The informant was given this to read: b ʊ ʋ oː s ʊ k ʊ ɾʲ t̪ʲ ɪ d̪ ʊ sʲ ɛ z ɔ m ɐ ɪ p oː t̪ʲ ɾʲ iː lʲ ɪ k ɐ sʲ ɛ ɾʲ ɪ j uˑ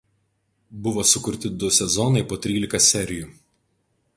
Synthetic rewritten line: b ʊ ʋ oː s ʊ k ʊ ɾʲ t̪ʲ ɪ d̪ ʊ sʲ ɛ z ɔ n ɐ ɪ p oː t̪ʲ ɾʲ iː lʲ ɪ k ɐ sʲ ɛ ɾʲ ɪ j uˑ